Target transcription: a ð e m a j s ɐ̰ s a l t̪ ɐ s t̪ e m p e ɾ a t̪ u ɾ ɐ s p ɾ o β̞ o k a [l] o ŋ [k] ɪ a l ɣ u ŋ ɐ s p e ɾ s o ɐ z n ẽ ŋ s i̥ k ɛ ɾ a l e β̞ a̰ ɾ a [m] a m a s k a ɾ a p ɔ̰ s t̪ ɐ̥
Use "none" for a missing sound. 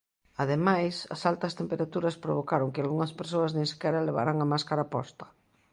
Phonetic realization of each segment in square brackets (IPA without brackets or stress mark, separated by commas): ɾ, k, ŋ